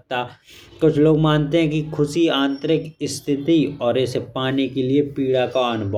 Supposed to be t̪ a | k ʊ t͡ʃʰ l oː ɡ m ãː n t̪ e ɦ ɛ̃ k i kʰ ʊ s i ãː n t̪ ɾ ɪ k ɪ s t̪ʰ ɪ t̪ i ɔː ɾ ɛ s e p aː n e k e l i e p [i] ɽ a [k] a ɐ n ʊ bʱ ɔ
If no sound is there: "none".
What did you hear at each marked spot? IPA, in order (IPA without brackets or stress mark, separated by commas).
iː, k